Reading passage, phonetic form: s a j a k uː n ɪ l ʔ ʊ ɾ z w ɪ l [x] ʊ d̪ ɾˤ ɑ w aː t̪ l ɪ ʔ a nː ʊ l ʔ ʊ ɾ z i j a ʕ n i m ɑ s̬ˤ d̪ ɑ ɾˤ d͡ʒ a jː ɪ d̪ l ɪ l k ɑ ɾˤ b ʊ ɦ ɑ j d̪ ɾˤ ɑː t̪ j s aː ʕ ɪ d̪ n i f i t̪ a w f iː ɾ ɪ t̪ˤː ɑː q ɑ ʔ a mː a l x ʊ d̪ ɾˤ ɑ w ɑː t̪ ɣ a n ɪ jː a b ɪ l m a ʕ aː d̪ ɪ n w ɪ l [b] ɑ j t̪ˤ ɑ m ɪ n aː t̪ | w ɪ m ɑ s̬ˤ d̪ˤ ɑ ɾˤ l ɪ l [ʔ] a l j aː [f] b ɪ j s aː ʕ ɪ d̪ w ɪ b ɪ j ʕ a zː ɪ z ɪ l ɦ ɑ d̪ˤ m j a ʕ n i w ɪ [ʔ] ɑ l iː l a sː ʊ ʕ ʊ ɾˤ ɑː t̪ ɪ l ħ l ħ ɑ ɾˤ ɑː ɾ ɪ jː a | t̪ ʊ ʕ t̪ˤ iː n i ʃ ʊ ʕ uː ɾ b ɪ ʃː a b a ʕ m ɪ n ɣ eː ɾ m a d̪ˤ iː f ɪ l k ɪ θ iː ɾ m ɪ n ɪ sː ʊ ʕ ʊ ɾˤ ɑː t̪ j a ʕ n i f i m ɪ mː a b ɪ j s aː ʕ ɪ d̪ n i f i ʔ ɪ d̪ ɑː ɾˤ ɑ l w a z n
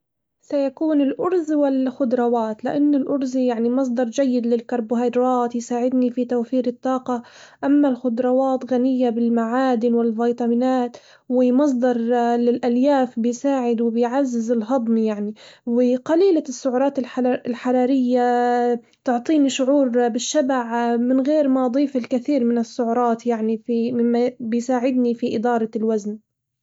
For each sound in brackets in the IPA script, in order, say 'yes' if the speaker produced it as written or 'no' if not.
yes, no, yes, yes, no

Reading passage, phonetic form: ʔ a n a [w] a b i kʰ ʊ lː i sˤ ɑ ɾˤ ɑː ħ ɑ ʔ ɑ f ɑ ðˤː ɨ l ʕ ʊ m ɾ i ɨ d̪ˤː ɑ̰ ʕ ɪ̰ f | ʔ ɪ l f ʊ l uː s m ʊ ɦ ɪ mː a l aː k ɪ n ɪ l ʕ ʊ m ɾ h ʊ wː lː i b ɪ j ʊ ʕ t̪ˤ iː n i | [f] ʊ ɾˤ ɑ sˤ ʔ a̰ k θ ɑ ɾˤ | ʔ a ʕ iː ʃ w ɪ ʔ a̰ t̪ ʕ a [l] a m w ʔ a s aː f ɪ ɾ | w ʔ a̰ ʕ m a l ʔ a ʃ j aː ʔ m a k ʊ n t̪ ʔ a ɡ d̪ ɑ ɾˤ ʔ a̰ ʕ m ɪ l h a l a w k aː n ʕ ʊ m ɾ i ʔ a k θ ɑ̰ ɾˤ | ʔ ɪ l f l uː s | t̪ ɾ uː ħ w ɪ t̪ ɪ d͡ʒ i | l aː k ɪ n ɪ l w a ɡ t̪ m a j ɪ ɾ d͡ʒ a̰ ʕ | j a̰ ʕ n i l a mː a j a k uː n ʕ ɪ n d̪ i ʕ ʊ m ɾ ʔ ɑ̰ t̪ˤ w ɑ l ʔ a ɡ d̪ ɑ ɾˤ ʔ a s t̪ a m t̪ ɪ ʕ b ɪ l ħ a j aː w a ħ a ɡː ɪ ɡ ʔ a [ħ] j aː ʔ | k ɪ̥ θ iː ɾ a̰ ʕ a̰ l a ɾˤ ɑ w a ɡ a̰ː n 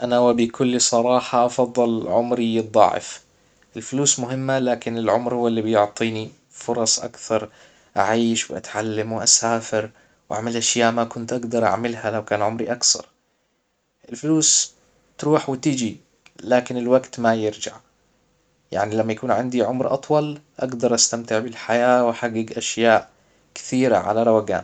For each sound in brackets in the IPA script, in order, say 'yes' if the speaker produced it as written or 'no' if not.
yes, yes, no, no

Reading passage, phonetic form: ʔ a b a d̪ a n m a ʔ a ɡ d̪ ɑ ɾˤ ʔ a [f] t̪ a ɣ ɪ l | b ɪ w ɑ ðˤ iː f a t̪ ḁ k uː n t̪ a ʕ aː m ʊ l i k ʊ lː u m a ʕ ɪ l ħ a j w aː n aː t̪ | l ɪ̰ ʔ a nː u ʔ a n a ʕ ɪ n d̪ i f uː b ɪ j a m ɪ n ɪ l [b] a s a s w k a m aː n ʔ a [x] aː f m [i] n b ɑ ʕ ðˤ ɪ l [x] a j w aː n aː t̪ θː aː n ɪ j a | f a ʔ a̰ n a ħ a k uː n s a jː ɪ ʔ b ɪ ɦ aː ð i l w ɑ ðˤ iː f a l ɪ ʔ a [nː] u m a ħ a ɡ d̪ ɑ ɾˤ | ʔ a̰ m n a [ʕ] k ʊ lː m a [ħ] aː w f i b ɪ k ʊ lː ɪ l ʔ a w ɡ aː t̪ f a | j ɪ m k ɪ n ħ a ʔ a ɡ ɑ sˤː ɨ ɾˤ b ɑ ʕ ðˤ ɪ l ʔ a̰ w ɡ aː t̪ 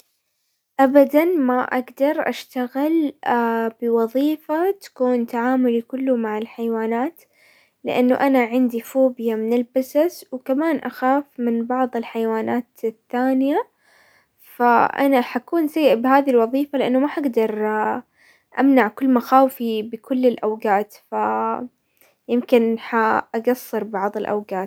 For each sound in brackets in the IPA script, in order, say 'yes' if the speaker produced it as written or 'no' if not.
no, yes, yes, no, no, yes, yes, no

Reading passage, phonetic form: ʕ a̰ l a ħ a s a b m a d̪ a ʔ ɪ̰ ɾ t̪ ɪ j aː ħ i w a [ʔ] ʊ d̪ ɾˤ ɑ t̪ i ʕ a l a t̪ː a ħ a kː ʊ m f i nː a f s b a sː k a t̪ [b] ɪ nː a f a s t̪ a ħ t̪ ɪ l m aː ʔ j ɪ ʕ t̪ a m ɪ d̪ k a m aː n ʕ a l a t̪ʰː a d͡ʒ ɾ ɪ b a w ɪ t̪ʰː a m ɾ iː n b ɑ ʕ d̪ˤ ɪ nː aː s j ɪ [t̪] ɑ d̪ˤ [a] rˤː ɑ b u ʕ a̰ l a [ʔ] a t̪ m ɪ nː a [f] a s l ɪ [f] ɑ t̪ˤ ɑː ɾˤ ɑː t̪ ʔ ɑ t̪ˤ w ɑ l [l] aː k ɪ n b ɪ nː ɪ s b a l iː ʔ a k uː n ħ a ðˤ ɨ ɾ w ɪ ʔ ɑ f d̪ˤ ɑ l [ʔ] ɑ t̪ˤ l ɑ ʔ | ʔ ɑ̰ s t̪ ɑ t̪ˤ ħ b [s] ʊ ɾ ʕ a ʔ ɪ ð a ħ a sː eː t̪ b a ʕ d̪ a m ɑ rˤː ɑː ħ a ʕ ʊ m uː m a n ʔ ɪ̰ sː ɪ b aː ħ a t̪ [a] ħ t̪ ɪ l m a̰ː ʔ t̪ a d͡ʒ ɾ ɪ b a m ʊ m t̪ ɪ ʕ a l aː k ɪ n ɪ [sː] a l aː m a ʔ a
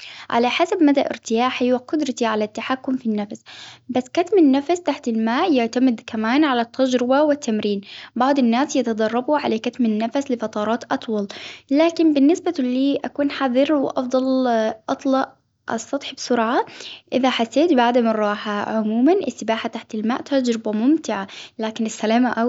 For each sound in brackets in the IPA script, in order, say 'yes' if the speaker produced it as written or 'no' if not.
no, no, yes, no, no, yes, yes, yes, yes, yes, yes, yes

